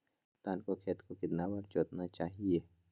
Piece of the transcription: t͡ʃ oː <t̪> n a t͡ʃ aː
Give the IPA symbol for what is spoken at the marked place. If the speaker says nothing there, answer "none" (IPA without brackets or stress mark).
t̪